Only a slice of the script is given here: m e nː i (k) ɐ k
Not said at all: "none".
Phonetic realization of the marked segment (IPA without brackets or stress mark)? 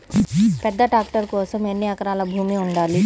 none